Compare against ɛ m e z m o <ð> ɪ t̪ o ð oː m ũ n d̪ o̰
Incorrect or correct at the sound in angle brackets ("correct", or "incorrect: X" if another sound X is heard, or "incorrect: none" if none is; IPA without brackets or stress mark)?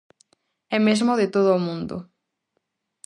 correct